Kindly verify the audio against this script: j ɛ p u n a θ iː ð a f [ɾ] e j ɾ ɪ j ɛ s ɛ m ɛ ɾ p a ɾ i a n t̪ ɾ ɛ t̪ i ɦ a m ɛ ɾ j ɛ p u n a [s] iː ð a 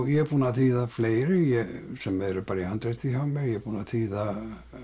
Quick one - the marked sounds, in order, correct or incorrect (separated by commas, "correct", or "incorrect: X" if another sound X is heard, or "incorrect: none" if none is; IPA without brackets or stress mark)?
incorrect: l, incorrect: θ